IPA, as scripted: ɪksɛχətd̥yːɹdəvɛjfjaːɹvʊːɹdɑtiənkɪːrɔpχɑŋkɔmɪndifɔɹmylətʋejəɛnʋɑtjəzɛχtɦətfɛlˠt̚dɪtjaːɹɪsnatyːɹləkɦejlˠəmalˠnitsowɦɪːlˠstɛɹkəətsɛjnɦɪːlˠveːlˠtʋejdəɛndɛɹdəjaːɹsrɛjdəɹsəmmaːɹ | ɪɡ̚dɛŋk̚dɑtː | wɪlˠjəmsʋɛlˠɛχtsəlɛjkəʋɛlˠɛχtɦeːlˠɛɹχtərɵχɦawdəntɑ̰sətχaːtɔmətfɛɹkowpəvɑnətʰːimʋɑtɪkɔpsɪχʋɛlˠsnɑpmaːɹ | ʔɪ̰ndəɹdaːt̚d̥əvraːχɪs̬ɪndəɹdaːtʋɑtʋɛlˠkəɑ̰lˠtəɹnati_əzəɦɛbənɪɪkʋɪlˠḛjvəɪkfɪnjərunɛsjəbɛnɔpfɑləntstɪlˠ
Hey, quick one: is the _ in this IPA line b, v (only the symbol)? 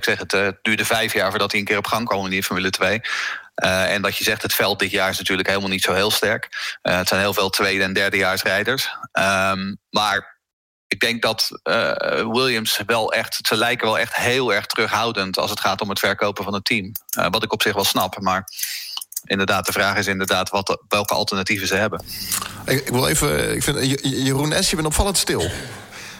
v